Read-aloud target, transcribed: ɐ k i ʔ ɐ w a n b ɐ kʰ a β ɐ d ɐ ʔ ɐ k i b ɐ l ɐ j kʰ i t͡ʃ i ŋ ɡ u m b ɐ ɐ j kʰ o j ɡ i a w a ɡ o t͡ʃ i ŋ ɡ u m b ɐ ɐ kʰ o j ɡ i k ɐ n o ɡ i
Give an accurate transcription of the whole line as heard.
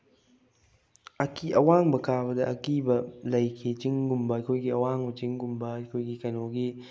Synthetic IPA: ɐ k i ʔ ɐ w a ŋ b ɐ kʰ a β ɐ d ɐ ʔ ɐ k i b ɐ l ɐ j kʰ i t͡ʃ i ŋ ɡ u m b ɐ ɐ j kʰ o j ɡ i ɐ w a ŋ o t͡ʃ i ŋ ɡ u m b ɐ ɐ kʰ o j ɡ i k ɐ n o ɡ i

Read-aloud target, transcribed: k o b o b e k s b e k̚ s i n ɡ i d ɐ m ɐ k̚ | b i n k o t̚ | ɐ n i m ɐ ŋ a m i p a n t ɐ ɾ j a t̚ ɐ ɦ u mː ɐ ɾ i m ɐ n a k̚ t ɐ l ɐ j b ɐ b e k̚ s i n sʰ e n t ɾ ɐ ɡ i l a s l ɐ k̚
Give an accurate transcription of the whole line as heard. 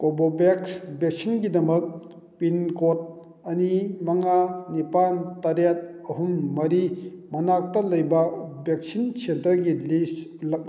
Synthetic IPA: k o b o b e k s b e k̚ s i n ɡ i d ɐ m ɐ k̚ | p i n k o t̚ | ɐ n i m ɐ ŋ a n i p a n t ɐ ɾ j a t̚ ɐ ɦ u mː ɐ ɾ i m ɐ n a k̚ t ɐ l ɐ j b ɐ b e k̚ s i n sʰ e n t ɾ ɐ ɡ i l i s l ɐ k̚

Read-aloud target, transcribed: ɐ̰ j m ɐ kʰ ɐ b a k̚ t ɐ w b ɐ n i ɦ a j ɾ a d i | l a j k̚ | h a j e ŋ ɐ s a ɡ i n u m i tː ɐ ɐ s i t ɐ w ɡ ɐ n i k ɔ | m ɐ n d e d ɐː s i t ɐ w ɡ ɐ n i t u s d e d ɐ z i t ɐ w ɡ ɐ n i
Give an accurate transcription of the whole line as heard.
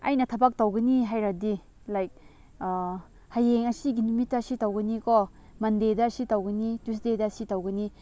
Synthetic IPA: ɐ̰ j n ɐ tʰ ɐ b a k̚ t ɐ w ɡ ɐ n i ɦ a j ɾ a d i | l a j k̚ | h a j e ŋ ɐ s i ɡ i n u m i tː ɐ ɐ s i t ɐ w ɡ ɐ n i k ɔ | m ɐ n d e d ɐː s i t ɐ w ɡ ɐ n i t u s d e d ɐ s i t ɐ w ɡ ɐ n i

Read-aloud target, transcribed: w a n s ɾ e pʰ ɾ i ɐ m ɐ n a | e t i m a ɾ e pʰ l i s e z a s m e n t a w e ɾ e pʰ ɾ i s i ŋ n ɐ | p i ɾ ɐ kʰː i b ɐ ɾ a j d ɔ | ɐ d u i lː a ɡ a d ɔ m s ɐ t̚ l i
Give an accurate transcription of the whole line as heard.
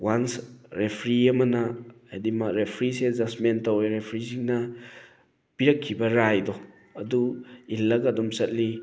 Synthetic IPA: w a n s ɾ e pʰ ɾ i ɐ m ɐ n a | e d i m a ɾ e pʰ ɾ i s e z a s m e n t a w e ɾ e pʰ ɾ i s i ŋ n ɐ | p i ɾ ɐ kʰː i b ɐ ɾ a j d ɔ | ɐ d u i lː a ɡ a d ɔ m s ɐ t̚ l i

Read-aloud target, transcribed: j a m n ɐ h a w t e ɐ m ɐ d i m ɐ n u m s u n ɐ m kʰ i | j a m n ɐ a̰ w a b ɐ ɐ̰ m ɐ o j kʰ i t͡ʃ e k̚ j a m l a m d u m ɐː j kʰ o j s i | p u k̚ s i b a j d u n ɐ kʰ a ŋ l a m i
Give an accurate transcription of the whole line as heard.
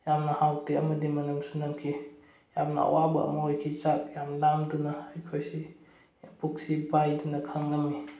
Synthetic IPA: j a m n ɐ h a w t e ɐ m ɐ d i m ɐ n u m s u n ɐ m kʰ i | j a m n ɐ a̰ w a b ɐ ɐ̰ m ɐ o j kʰ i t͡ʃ a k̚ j a m l a m d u n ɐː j kʰ o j s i | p u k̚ s i b a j d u n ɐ kʰ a ŋ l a m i

